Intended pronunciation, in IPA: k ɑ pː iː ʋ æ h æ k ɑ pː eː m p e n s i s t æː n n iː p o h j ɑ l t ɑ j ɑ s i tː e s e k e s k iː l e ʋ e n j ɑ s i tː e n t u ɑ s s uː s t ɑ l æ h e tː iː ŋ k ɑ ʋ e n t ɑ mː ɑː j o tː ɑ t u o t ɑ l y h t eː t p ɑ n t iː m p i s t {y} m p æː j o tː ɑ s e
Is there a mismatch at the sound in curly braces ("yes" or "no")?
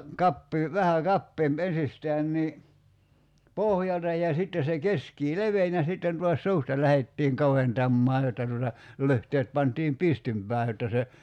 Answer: no